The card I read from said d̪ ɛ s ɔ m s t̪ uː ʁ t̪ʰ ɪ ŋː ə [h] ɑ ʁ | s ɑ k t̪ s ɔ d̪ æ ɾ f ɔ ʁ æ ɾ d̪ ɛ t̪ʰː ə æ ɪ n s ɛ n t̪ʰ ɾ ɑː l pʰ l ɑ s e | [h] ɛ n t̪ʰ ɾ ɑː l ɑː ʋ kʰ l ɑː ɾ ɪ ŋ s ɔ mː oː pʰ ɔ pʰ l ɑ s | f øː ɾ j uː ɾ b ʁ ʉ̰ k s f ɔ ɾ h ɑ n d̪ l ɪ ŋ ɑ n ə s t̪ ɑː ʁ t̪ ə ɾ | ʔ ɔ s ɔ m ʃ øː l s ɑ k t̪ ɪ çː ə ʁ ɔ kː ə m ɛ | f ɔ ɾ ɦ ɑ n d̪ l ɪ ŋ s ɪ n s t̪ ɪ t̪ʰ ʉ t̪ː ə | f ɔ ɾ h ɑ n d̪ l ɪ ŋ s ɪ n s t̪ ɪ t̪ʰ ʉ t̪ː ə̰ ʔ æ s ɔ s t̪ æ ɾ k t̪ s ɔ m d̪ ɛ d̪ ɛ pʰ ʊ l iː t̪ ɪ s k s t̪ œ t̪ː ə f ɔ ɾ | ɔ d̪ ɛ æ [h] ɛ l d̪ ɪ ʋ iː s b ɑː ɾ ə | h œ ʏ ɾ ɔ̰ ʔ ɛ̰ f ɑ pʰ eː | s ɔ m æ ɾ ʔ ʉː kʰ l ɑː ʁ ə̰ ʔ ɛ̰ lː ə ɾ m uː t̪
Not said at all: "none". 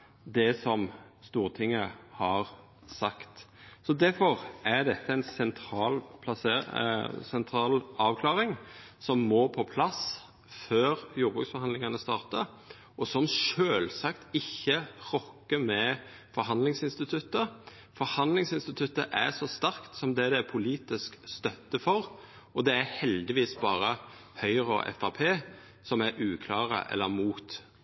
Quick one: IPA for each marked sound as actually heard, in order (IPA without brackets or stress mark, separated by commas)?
h, s, h